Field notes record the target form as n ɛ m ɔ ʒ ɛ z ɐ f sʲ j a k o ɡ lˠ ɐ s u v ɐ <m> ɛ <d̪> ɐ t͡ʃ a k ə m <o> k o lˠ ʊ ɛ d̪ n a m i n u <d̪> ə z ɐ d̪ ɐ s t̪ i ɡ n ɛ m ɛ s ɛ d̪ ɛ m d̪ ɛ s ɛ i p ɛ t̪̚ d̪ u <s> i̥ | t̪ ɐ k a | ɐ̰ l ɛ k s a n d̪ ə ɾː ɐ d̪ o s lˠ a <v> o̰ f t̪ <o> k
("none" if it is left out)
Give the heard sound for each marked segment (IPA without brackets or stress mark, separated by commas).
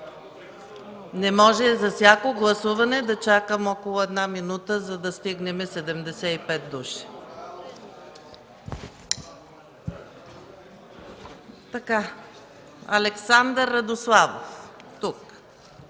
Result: n, d̪, ɔ, t̪, ʃ, v, u